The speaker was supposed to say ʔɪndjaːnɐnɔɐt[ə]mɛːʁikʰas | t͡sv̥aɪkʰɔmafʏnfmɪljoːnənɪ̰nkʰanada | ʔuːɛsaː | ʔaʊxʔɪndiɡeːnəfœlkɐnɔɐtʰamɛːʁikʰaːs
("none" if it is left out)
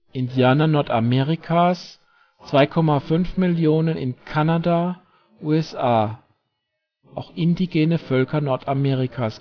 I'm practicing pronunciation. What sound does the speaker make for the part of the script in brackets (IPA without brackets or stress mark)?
a